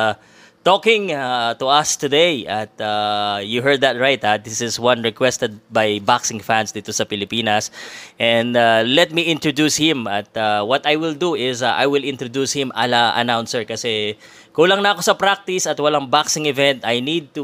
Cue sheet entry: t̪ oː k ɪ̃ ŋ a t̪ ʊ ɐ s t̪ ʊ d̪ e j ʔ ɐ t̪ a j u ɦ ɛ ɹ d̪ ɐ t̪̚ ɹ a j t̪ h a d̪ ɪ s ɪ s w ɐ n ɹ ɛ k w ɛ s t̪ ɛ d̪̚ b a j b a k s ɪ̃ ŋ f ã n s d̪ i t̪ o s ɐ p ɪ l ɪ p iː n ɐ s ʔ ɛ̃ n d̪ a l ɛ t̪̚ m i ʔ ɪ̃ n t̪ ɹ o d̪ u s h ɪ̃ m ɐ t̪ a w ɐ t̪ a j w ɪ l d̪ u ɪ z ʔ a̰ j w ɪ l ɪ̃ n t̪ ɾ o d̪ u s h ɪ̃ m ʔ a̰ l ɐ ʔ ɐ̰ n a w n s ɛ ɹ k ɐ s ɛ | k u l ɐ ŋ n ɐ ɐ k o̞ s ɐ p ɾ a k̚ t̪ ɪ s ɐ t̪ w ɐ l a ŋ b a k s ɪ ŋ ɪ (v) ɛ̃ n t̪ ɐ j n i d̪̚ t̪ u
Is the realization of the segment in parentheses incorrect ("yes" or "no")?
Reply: no